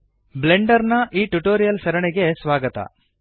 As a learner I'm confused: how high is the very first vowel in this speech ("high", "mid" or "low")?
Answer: mid